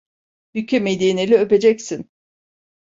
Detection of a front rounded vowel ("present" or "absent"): present